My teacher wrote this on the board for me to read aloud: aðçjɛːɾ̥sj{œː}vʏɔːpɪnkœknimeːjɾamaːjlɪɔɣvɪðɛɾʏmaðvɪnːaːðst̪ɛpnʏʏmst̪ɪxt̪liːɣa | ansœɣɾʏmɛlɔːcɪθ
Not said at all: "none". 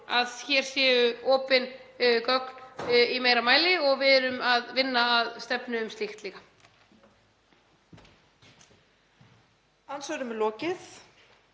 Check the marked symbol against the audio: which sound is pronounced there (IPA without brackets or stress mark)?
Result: ɛː